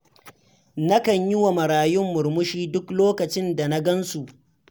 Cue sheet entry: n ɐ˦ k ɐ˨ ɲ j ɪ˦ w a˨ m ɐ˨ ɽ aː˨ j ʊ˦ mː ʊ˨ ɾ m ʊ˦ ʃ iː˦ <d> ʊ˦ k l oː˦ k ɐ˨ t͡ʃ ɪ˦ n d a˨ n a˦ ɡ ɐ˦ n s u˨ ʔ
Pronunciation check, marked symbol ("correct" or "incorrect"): correct